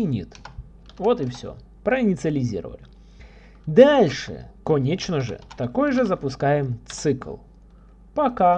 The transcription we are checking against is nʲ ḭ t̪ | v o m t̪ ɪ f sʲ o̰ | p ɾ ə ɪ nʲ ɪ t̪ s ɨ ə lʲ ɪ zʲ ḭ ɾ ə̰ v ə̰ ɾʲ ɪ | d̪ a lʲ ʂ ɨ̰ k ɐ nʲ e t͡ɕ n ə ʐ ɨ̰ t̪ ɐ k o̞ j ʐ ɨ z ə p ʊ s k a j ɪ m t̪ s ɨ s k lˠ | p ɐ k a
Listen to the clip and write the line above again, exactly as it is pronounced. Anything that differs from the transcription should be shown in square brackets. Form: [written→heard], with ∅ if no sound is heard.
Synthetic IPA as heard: nʲ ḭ t̪ | v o [m→∅] t̪ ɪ f sʲ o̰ | p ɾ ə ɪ nʲ ɪ t̪ s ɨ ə lʲ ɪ zʲ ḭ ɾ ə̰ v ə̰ [ɾʲ→lʲ] ɪ | d̪ a lʲ ʂ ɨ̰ k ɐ nʲ e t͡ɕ n ə ʐ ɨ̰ t̪ ɐ k o̞ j ʐ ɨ z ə p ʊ s k a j ɪ m t̪ s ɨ [s→∅] k lˠ | p ɐ k a

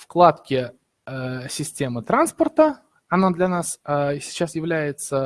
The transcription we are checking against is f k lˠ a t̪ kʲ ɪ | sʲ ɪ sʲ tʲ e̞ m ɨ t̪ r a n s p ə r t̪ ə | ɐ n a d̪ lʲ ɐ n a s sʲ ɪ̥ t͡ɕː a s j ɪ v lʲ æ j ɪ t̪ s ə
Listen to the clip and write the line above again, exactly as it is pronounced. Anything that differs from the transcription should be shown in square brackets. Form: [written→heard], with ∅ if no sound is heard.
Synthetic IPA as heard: f k lˠ a t̪ kʲ ɪ | sʲ ɪ sʲ tʲ e̞ m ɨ t̪ [r→ɾ] a n s p ə r t̪ ə | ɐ n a d̪ lʲ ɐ n a s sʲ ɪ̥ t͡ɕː a s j ɪ v lʲ æ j ɪ t̪ s ə

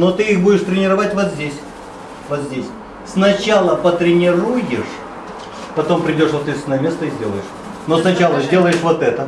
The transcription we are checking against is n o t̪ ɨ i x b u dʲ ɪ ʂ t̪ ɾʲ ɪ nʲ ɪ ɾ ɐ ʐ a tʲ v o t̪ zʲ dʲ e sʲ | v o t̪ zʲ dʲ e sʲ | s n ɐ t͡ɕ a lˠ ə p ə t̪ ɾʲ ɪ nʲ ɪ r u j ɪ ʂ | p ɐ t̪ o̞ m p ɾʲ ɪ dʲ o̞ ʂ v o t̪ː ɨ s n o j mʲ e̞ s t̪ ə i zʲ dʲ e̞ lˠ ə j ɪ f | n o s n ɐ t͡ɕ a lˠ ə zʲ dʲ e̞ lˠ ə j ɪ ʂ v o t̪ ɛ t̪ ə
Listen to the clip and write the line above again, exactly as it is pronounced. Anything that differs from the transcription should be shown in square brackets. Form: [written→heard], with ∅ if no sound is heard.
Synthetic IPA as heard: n o t̪ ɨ i x b u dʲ ɪ ʂ t̪ ɾʲ ɪ nʲ ɪ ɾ ɐ [ʐ→v] a tʲ v o t̪ zʲ dʲ e sʲ | v o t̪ zʲ dʲ e sʲ | s n ɐ t͡ɕ a lˠ ə p ə t̪ ɾʲ ɪ nʲ ɪ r u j ɪ ʂ | p ɐ t̪ o̞ m p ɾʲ ɪ dʲ o̞ ʂ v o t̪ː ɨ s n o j mʲ e̞ s t̪ ə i zʲ dʲ e̞ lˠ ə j ɪ [f→ʂ] | n o s n ɐ t͡ɕ a lˠ ə zʲ dʲ e̞ lˠ ə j ɪ ʂ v o t̪ ɛ t̪ ə

